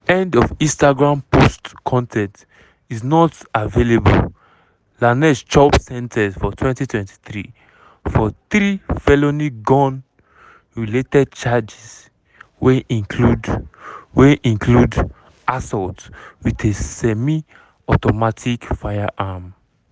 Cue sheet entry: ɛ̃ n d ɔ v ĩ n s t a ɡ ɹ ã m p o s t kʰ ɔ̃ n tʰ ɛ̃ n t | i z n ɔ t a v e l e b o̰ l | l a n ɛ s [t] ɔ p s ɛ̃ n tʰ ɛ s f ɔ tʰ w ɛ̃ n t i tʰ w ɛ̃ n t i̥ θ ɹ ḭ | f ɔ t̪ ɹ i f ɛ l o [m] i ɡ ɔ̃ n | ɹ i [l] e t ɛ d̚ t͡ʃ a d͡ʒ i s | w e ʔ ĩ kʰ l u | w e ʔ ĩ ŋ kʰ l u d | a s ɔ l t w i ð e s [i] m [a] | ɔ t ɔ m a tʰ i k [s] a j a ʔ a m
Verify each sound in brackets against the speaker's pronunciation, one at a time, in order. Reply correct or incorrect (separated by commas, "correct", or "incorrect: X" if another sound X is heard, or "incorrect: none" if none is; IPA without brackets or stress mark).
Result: incorrect: t͡ʃ, incorrect: n, correct, incorrect: ɛ, incorrect: i, incorrect: f